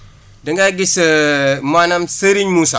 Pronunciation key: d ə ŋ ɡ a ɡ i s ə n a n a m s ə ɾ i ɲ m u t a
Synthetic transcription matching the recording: d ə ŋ ɡ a ɡ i s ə m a n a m s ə ɾ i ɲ m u s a